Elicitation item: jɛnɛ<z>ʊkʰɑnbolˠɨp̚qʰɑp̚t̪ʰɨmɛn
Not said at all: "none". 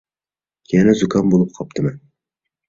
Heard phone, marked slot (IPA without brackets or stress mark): z